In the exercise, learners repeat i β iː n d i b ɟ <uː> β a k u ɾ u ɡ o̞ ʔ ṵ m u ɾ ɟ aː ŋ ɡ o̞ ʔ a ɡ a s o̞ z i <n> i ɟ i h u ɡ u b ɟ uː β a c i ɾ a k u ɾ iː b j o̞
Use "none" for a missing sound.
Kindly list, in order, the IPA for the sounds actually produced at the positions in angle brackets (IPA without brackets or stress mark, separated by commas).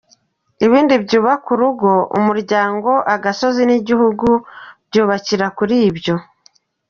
uː, n